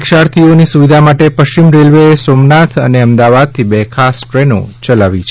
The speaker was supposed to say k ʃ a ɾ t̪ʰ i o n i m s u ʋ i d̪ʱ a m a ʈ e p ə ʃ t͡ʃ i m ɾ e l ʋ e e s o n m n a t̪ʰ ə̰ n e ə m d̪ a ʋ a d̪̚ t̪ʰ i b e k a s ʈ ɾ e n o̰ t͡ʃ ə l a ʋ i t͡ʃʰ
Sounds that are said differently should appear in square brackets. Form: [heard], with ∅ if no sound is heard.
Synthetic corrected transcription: k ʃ a ɾ t̪ʰ i o n i [∅] s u ʋ i d̪ʱ a m a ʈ e p ə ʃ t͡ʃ i m ɾ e l ʋ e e s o [∅] m n a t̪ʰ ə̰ n e ə m d̪ a ʋ a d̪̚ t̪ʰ i b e [kʰ] a s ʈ ɾ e n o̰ t͡ʃ ə l a ʋ i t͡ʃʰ

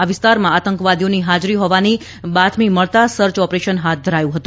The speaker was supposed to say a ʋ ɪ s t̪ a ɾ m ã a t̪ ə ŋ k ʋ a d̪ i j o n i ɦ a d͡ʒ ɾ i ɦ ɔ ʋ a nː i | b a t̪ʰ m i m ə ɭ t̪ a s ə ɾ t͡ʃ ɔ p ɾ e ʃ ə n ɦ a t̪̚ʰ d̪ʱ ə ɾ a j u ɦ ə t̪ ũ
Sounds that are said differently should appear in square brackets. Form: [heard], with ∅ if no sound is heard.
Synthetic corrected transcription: a ʋ ɪ s t̪ a ɾ m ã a t̪ ə ŋ k ʋ a d̪ i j o n i ɦ a d͡ʒ ɾ i ɦ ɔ ʋ a [n] i | b a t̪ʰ m i m ə ɭ t̪ a s ə ɾ t͡ʃ ɔ p ɾ e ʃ ə n ɦ a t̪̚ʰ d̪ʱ ə ɾ a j [ũ] ɦ ə t̪ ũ

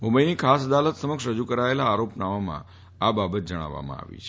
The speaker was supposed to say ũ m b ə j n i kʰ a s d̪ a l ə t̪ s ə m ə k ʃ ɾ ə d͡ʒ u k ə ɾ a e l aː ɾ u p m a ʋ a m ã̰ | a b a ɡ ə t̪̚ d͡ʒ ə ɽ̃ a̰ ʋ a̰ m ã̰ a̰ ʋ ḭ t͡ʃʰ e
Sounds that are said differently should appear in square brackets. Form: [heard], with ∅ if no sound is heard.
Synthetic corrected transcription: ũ m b ə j n i kʰ a s d̪ a l ə t̪ s ə m ə k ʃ ɾ ə d͡ʒ u k ə ɾ a e l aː ɾ [o] p [n] a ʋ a m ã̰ | a b a [b] ə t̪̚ d͡ʒ ə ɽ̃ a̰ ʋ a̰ m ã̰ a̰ ʋ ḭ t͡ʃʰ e

